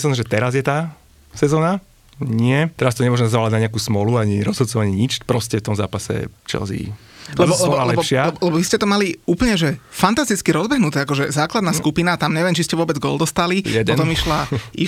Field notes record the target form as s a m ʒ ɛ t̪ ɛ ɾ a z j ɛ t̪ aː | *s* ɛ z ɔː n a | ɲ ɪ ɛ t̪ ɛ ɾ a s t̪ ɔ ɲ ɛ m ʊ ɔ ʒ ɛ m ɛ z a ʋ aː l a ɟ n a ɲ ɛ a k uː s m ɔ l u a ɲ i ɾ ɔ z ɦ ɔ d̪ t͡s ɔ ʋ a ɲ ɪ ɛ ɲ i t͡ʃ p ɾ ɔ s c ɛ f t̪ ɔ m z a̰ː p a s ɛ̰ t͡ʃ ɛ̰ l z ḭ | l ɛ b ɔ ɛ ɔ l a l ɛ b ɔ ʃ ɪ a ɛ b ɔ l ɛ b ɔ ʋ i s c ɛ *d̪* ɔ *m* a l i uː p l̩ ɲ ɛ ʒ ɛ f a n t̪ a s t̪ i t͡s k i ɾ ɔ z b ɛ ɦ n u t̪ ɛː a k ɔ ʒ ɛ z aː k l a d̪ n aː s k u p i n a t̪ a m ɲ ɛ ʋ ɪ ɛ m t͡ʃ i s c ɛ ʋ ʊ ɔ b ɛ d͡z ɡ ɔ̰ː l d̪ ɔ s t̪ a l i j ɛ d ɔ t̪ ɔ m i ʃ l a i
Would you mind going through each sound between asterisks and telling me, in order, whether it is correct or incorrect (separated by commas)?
correct, incorrect, correct